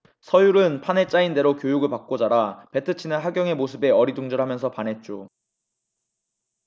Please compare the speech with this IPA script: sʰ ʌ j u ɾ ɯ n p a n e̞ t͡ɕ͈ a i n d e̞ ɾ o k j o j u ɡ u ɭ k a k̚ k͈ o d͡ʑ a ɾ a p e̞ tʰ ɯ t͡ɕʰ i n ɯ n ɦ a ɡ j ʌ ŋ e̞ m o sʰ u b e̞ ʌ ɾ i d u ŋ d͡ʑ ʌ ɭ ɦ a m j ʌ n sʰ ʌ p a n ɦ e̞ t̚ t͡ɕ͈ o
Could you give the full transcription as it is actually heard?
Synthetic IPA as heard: sʰ ʌ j u ɾ ɯ n pʰ a n e̞ t͡ɕ͈ a i n d e̞ ɾ o k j o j u ɡ ɯ ɭ p a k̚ k͈ o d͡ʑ a ɾ a p e̞ tʰ ɯ t͡ɕʰ i n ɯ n ɦ a ɡ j ʌ ŋ e̞ m o sʰ ɯ b e̞ ʌ ɾ i d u ŋ d͡ʑ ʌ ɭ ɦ a m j ʌ n sʰ ʌ p a n ɦ e̞ t̚ t͡ɕ͈ o